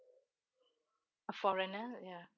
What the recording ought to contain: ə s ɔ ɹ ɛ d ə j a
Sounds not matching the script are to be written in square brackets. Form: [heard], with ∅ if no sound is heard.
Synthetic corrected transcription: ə [f] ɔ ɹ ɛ [n] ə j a